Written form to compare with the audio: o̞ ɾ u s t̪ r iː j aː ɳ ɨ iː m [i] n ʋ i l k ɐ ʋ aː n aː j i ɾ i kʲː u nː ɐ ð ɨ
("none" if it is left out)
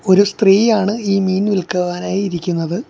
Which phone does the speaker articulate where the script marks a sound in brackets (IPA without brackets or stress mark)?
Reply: iː